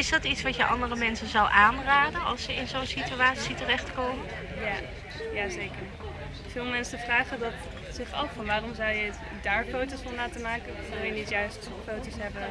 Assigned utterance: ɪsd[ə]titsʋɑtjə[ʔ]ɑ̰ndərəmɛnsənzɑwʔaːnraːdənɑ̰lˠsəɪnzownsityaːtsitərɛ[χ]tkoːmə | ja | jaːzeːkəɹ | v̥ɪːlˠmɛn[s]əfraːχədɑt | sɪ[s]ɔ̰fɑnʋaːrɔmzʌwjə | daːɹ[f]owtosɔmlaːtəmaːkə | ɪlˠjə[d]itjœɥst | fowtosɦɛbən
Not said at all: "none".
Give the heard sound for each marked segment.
ɑ, ʔ, χ, s, χ, f, n

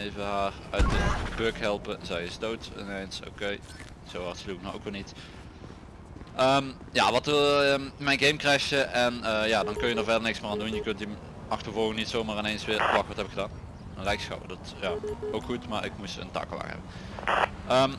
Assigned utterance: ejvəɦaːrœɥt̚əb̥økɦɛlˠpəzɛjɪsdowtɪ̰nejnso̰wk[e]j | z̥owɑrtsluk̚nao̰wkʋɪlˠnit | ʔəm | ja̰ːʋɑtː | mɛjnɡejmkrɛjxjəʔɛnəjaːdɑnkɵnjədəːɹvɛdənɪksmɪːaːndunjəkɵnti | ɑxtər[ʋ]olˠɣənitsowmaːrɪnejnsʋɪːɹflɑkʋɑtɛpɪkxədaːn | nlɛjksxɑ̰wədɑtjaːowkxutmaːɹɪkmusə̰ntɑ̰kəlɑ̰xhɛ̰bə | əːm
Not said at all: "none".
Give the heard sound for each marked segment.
e, v

